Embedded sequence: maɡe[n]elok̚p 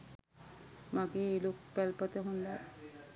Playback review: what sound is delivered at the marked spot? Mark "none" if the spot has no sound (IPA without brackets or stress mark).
none